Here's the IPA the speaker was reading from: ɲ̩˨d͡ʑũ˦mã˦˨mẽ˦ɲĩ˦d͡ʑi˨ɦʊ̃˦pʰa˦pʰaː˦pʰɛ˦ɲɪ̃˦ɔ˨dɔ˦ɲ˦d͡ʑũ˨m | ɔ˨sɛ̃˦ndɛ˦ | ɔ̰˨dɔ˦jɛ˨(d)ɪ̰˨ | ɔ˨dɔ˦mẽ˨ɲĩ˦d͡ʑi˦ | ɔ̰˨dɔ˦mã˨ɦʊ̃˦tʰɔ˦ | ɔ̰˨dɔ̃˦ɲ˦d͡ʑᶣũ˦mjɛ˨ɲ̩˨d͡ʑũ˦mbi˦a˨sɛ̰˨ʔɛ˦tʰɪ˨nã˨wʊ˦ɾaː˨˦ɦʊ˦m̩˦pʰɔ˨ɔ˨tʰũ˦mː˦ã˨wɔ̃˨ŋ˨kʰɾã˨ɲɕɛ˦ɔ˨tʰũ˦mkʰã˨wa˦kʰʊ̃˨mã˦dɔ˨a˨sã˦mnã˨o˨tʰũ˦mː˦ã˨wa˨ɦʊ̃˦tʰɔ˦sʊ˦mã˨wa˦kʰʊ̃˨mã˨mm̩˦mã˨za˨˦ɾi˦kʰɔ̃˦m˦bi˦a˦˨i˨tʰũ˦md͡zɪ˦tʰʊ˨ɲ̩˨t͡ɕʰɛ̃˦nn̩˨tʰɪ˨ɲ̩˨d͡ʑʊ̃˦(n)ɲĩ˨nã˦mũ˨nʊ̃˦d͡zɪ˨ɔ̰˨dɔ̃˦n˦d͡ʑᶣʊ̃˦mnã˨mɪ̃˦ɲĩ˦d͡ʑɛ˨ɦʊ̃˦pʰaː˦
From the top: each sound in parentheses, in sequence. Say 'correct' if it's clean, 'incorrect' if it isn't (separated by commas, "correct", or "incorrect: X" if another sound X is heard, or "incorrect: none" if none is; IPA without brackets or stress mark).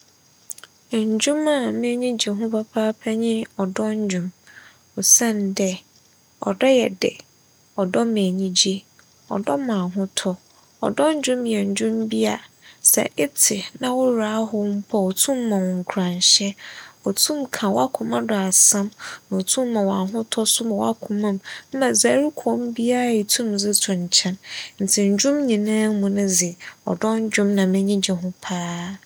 correct, incorrect: m